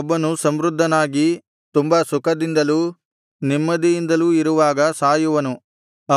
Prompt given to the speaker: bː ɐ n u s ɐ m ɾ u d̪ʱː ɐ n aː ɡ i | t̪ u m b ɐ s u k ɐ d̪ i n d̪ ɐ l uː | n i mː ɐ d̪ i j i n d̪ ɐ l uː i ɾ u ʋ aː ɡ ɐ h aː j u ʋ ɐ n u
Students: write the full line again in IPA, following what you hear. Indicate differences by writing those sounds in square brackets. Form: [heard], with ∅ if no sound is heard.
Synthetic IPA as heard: bː ɐ n u s ɐ m ɾ u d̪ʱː ɐ n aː ɡ i | t̪ u m b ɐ s u k ɐ d̪ i n d̪ ɐ l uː | n i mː ɐ d̪ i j i n d̪ ɐ l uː i ɾ u ʋ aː ɡ ɐ [s] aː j u ʋ ɐ n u